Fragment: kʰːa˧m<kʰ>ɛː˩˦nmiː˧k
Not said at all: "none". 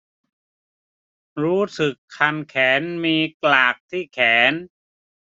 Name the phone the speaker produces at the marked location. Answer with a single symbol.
kʰ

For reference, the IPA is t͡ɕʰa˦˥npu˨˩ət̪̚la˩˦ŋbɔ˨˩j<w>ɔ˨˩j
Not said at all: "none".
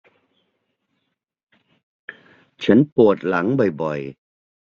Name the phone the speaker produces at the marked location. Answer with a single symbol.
b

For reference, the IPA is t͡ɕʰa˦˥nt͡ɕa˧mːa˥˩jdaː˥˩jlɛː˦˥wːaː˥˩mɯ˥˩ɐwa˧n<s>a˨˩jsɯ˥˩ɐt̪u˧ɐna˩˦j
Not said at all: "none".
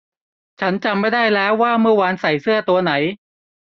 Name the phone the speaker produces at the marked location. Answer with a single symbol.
s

